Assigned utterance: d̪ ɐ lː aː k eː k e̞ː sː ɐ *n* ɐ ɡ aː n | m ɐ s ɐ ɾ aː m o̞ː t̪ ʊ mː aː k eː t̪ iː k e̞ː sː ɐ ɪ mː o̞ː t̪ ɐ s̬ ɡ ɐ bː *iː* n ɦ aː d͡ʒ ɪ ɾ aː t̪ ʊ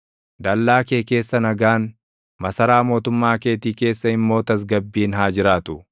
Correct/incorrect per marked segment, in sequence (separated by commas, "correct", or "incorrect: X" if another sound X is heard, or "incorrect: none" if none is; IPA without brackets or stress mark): correct, correct